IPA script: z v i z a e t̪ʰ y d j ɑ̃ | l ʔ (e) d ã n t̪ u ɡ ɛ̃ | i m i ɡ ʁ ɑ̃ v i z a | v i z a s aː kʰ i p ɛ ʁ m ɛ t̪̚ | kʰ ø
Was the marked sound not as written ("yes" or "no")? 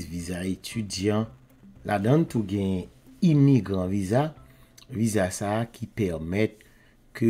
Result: yes